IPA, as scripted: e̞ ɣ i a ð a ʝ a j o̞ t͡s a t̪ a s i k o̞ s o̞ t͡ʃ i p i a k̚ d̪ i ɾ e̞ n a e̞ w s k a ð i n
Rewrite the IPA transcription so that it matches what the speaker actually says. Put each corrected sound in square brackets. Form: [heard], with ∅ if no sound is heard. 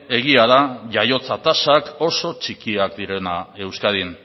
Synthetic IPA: e̞ ɣ i a ð a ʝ a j o̞ t͡s a t̪ a s [a] k o̞ s o̞ t͡ʃ i [k] i a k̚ d̪ i ɾ e̞ n a e̞ w s k a ð i n